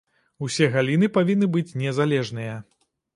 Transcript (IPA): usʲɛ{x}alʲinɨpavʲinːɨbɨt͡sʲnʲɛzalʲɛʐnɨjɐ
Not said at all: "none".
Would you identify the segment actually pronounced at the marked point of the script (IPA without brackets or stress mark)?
ɣ